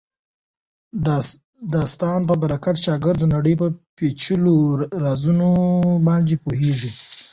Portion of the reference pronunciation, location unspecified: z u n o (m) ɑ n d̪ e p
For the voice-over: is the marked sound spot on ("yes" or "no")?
no